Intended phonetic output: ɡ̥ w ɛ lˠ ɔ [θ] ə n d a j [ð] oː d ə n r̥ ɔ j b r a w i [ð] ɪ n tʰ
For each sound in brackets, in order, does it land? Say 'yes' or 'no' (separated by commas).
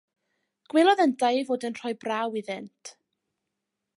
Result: no, no, yes